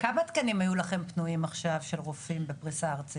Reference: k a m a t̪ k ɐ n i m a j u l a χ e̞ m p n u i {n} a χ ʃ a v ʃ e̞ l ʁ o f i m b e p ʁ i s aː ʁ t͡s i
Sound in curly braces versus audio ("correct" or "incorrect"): incorrect